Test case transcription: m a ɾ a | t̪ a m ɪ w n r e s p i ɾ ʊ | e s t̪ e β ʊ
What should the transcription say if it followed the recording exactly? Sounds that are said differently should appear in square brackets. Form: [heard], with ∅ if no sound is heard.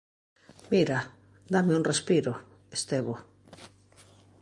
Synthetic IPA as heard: m [i] ɾ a | [d̪] a m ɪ [u] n r e s p i ɾ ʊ | e s t̪ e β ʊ